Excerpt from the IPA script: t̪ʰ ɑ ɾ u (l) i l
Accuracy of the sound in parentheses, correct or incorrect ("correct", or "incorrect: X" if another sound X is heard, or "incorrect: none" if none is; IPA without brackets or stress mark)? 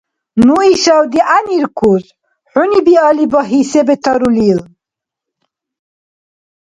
correct